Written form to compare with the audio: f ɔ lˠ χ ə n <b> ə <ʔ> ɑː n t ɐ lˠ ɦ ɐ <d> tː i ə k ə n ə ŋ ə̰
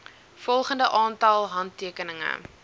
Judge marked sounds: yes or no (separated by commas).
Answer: no, yes, no